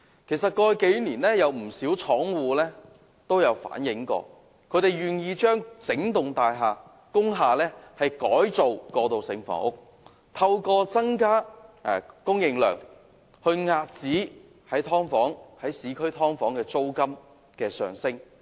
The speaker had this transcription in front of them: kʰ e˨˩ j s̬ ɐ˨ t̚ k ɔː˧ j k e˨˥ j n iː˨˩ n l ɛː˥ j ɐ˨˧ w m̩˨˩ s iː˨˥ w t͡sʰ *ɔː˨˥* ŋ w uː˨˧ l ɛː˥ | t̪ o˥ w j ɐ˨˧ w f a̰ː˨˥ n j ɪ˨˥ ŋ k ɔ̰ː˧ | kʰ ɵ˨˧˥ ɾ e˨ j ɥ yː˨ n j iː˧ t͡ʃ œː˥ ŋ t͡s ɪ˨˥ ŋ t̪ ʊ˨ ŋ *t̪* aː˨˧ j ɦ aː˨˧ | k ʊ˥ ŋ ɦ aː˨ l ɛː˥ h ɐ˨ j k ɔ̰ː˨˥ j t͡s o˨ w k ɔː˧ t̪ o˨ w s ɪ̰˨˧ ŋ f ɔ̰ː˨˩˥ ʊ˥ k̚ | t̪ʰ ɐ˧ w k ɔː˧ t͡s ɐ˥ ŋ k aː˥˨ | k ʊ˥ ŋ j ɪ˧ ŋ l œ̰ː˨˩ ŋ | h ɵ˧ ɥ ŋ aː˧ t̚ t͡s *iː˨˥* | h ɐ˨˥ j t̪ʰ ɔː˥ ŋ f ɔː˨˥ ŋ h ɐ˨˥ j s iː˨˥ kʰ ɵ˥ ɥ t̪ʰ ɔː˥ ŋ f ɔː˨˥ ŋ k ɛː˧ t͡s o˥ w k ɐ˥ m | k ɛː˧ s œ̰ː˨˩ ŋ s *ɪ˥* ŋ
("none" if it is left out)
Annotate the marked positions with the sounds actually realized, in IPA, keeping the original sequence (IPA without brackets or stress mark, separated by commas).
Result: ɔː˨˥, t̪, iː˨˥, ɪ˥